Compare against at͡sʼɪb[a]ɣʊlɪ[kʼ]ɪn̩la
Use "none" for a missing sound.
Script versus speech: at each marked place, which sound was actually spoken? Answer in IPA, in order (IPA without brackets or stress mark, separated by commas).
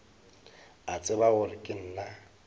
a, kʼ